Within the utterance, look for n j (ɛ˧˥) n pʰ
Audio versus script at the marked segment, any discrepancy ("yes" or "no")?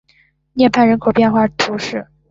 yes